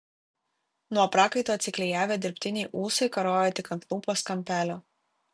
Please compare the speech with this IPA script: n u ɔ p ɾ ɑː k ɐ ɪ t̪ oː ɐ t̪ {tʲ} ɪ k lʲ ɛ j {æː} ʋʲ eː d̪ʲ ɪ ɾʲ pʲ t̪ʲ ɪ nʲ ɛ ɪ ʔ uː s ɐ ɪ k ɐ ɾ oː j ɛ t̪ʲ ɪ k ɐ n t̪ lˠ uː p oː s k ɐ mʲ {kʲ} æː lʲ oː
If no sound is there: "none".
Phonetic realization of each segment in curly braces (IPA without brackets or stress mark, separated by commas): sʲ, æː, pʲ